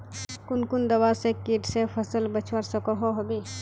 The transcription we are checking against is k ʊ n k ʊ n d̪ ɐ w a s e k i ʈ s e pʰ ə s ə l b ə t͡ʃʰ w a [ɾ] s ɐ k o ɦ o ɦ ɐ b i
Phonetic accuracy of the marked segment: correct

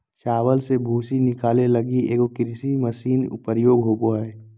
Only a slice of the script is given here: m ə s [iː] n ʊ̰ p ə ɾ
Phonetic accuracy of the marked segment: correct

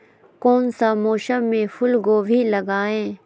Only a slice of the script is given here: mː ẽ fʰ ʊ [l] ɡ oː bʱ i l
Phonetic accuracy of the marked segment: correct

